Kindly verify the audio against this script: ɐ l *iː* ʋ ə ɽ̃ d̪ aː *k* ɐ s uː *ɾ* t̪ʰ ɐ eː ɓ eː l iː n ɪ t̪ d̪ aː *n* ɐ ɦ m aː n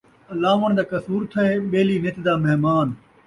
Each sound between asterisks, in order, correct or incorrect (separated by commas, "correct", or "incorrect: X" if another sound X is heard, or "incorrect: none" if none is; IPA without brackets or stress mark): incorrect: aː, correct, correct, incorrect: m